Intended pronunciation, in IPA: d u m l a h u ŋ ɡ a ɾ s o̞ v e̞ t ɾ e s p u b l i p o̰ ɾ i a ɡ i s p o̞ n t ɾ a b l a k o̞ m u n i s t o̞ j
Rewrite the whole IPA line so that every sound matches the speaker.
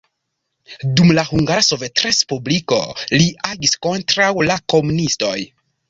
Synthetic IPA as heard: d u m l a h u ŋ ɡ a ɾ s o̞ v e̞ t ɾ e s p u b l i k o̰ l i a ɡ i s k o̞ n t ɾ a w l a k o̞ m u n i s t o̞ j